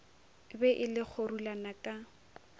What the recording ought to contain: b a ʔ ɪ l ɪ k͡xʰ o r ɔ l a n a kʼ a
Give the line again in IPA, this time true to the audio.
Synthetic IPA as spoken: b ɛ ʔ ɪ l ɪ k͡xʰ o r u l a n a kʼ a